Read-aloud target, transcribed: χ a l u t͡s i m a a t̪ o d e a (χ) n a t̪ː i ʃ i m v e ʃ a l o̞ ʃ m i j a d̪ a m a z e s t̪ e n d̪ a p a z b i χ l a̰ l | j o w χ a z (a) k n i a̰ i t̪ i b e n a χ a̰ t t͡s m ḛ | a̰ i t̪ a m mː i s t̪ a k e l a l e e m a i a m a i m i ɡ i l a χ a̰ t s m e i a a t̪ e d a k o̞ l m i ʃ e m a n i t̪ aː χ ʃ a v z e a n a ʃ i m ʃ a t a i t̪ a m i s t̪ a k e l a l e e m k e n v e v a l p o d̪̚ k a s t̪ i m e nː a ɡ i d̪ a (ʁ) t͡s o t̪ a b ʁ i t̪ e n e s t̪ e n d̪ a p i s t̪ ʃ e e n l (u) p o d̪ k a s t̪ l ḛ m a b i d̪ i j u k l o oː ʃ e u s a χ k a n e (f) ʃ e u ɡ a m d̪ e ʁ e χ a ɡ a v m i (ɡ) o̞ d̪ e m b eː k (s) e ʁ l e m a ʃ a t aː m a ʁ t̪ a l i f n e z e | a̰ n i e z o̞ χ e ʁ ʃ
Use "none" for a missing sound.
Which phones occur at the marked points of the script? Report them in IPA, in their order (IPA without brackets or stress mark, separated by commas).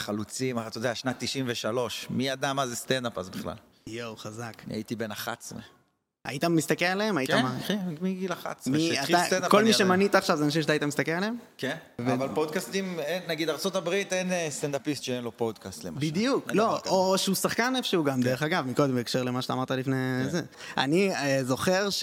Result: ʃ, a, ʁ, o, f, k, ʃ